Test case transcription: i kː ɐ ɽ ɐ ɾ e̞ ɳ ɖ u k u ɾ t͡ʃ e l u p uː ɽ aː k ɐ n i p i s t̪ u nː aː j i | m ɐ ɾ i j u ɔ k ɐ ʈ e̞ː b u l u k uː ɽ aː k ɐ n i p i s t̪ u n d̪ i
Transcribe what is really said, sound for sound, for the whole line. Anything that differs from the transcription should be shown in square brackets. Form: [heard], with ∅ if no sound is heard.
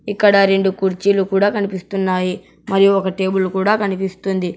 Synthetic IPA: i kː ɐ ɽ ɐ ɾ e̞ ɳ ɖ u k u ɾ t͡ʃ [i] l u [k] uː ɽ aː k ɐ n i p i s t̪ u nː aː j i | m ɐ ɾ i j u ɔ k ɐ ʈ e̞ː b u l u k uː ɽ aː k ɐ n i p i s t̪ u n d̪ i

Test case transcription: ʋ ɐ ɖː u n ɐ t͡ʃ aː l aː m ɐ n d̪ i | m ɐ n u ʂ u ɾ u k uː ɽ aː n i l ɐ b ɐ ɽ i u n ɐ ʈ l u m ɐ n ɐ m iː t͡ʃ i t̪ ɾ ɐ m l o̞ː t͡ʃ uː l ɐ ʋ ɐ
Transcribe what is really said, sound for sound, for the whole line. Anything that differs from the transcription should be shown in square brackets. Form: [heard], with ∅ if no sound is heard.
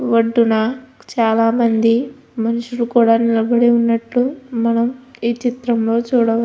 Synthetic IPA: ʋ ɐ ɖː u n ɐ t͡ʃ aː l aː m ɐ n d̪ i | m ɐ n u ʂ u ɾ u k uː ɽ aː n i l ɐ b ɐ ɽ i u [nː] ɐ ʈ l u m ɐ n ɐ m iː t͡ʃ i t̪ ɾ ɐ m l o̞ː t͡ʃ uː [ɽ] ɐ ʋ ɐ

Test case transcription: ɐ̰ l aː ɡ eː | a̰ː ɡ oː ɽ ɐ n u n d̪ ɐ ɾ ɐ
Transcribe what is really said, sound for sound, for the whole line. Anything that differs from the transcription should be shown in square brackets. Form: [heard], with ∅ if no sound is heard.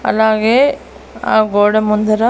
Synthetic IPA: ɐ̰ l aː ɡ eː | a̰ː ɡ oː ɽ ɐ [m] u n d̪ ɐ ɾ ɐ

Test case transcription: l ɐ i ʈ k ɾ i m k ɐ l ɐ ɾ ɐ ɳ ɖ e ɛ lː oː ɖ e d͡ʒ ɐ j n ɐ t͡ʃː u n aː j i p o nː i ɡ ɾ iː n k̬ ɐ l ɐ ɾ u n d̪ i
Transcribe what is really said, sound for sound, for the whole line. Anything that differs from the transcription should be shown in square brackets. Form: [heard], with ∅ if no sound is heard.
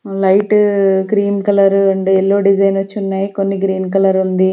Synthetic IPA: l ɐ [j] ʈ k ɾ [iː] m k ɐ l ɐ ɾ ɐ ɳ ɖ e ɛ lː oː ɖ [i] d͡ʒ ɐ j n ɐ t͡ʃː u [nː] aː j i [k] o nː i ɡ ɾ iː n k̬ ɐ l ɐ ɾ u n d̪ i

